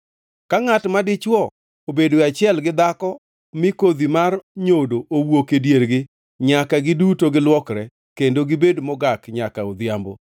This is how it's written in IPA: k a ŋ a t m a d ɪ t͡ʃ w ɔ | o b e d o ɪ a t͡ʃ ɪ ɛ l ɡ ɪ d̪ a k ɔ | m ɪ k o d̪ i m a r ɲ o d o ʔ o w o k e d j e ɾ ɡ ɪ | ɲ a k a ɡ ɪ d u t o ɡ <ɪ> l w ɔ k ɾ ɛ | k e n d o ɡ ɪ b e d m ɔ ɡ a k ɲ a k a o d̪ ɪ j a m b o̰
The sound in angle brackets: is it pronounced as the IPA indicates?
yes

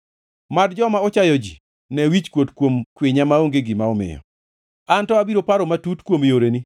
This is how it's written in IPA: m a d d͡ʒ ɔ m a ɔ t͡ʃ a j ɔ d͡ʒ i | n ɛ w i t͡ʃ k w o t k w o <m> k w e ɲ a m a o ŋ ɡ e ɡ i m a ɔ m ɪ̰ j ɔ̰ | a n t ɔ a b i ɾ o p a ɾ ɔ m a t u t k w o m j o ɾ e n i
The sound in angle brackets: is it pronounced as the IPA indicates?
yes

